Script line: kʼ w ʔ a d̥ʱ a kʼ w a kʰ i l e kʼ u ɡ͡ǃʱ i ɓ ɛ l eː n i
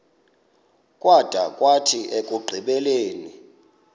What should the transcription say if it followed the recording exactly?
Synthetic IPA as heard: kʼ w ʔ a d̥ʱ a kʼ w a tʰ i e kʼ u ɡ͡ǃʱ i ɓ ɛ l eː n i